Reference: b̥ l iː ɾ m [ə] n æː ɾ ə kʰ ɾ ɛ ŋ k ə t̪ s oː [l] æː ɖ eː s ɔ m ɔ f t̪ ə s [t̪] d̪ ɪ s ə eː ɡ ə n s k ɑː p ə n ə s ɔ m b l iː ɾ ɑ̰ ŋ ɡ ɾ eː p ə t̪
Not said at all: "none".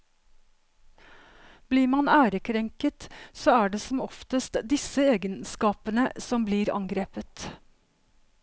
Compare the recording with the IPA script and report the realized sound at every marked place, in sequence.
ɑ, none, t̪

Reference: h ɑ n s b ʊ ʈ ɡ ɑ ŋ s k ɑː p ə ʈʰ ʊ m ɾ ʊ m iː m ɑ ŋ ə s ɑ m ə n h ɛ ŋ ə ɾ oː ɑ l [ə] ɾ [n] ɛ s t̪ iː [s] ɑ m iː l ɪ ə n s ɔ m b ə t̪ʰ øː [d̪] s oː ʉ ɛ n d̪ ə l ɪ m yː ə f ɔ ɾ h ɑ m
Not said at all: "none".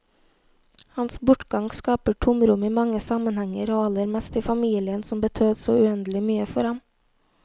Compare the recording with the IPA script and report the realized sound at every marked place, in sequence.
ə, m, f, d̪

